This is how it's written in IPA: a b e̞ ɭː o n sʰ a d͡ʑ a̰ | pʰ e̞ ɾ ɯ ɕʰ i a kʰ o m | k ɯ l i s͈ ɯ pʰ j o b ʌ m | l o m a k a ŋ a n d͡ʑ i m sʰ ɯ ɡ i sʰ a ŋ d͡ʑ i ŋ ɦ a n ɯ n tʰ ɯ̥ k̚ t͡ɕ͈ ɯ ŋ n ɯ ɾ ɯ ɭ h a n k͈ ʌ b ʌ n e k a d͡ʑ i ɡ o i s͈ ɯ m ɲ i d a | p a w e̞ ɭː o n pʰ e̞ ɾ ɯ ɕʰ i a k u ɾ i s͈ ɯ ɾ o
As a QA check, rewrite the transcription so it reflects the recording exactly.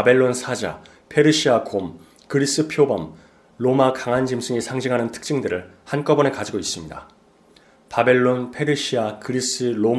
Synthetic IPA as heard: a b e̞ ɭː o n sʰ a d͡ʑ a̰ | pʰ e̞ ɾ ɯ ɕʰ i a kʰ o m | k ɯ ɾ i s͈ ɯ pʰ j o b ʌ m | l o m a k a ŋ a n d͡ʑ i m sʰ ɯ ŋ i sʰ a ŋ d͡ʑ i ŋ ɦ a n ɯ n tʰ ɯ̥ k̚ t͡ɕ͈ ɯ ŋ d ɯ ɾ ɯ ɭ h a n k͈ ʌ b ʌ n e k a d͡ʑ i ɡ o i s͈ ɯ m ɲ i d a | p a b e̞ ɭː o n pʰ e̞ ɾ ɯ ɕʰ i a k ɯ ɾ i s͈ ɯ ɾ o